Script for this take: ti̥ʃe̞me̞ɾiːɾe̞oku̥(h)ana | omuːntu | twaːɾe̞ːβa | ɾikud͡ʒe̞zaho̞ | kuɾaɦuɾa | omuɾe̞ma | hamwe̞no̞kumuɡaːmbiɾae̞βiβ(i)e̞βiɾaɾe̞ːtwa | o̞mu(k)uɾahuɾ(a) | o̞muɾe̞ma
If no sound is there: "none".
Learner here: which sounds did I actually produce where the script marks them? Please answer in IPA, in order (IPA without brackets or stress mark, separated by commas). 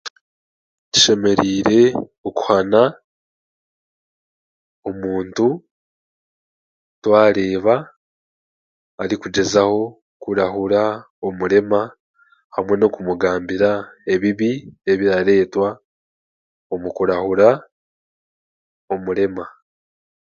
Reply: h, i, k, a